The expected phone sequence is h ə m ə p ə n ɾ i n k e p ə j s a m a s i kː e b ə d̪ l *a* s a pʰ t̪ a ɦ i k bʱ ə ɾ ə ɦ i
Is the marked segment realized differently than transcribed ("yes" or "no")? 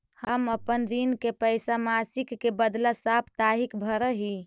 no